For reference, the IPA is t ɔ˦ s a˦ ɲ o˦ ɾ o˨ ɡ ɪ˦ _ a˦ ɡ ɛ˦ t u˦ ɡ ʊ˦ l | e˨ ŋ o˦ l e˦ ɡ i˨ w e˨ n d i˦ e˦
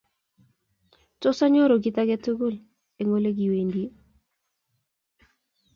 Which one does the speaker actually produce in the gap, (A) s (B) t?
B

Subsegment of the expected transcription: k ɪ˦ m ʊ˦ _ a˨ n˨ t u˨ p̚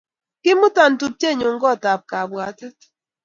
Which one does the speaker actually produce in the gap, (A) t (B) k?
A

